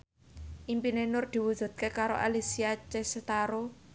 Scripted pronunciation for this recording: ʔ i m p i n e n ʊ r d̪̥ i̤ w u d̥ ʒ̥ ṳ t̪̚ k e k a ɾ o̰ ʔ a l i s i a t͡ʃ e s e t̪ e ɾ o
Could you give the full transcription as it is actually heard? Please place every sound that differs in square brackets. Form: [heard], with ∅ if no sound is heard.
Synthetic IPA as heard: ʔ i m p i n e n ʊ r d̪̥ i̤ w u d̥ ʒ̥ ṳ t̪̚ k e k a ɾ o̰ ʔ a l i s i a t͡ʃ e s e t̪ [a] ɾ o